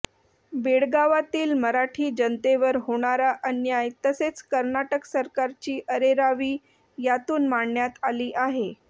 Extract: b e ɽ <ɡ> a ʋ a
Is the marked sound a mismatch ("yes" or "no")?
no